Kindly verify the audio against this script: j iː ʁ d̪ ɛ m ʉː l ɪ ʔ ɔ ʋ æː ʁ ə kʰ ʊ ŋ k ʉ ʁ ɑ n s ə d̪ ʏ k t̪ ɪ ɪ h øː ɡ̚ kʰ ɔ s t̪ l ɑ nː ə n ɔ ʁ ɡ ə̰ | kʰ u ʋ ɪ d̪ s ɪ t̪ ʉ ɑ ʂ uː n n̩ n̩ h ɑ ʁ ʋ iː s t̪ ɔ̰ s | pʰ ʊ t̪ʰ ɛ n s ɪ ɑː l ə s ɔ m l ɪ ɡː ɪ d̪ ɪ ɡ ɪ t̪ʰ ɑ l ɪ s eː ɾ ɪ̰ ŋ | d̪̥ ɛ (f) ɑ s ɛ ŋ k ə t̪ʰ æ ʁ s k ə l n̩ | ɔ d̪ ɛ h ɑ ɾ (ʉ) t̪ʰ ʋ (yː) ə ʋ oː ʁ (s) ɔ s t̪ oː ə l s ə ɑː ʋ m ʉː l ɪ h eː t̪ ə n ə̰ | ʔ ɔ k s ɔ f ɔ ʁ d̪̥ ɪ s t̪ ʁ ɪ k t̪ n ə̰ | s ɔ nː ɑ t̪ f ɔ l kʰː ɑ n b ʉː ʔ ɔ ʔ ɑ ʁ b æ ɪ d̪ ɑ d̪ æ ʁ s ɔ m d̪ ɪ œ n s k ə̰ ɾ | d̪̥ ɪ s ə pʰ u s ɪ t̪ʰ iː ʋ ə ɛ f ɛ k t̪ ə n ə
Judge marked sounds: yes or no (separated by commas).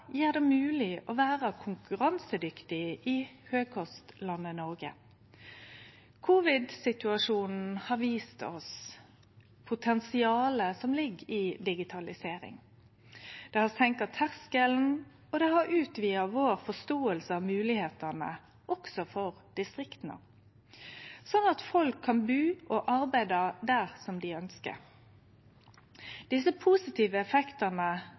no, no, no, no